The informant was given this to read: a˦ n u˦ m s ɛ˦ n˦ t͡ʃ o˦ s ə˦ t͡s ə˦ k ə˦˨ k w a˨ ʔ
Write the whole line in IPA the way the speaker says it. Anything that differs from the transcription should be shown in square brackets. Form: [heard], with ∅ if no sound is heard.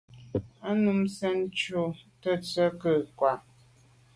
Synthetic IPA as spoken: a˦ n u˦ m s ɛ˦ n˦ t͡ʃ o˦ [t] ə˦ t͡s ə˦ k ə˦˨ k w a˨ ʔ

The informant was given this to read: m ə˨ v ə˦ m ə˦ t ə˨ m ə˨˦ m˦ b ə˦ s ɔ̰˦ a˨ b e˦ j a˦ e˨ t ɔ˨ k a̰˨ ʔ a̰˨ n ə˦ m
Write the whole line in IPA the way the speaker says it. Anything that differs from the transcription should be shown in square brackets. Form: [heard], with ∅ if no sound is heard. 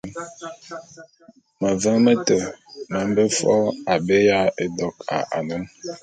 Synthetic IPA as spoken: m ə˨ v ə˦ m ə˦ t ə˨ m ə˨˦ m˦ b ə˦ [f] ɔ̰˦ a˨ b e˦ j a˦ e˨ [d] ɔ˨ k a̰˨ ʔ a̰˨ n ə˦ m

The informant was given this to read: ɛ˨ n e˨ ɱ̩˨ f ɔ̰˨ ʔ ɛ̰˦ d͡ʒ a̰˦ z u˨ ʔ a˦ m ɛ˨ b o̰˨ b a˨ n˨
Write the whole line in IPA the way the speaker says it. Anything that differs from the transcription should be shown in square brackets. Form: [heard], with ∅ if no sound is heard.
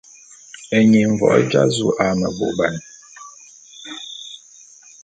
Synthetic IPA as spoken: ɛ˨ [ɲ] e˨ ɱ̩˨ [v] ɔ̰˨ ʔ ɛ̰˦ d͡ʒ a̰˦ z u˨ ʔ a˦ m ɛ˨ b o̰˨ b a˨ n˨

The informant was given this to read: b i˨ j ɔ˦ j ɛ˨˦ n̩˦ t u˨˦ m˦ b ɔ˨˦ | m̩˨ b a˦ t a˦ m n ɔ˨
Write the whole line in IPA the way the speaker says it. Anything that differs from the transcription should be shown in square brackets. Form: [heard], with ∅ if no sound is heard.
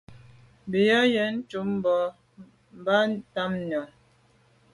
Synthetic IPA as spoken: b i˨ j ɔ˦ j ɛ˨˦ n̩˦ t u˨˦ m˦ b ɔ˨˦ | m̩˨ b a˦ t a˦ m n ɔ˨

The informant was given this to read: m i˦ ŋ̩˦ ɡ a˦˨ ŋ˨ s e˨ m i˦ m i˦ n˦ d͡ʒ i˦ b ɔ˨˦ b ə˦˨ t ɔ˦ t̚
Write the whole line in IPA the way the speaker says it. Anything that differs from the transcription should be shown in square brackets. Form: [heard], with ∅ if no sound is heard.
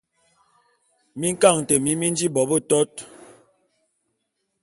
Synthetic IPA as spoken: m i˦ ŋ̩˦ [k] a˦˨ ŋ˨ [t] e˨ m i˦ m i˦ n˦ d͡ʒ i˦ b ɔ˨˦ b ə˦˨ t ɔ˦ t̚

